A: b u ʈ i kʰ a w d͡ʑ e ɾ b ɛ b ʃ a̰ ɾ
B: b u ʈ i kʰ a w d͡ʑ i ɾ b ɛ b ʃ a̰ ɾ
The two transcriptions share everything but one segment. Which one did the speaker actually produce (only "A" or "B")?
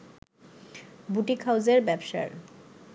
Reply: A